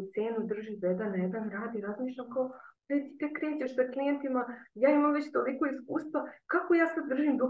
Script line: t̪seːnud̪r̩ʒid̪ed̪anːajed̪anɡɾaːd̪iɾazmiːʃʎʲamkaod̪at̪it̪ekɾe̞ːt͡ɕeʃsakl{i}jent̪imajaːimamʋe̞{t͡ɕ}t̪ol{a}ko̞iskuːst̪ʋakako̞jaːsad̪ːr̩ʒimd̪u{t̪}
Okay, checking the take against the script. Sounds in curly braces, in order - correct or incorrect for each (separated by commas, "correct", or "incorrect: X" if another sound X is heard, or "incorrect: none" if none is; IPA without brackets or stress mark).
correct, correct, incorrect: i, incorrect: none